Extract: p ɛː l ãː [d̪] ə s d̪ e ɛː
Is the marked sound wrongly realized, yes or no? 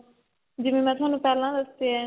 no